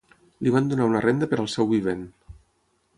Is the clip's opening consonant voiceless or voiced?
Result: voiced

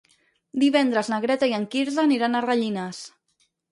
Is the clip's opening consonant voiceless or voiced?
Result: voiced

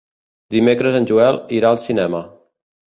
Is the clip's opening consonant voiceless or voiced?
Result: voiced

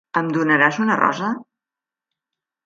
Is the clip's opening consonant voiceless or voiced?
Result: voiced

